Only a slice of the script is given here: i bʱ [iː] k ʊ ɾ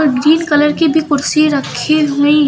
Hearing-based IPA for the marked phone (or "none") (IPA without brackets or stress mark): i